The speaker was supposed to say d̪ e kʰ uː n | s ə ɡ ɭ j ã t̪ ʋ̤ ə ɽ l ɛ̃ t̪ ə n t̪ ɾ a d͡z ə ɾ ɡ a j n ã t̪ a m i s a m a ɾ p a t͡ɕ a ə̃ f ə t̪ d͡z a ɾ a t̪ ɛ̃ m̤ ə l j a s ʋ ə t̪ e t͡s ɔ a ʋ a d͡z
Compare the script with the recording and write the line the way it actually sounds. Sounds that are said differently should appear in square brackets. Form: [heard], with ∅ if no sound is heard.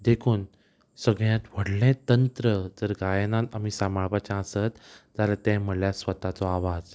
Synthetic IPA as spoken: d̪ e kʰ uː n | s ə ɡ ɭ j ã t̪ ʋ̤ ə ɽ l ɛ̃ t̪ ə n t̪ ɾ [ə] d͡z ə ɾ ɡ a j n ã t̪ a m i s a m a [ɭ] p a t͡ɕ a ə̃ [s] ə t̪ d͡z a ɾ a t̪ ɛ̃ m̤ ə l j a s ʋ ə t̪ [a] t͡s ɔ a ʋ a d͡z